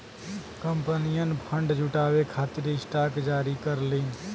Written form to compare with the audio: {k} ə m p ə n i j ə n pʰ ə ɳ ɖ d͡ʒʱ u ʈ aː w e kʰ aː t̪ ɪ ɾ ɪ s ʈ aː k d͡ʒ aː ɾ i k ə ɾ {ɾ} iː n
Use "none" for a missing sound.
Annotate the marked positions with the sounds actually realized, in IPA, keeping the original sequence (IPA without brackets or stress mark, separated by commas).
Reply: k, l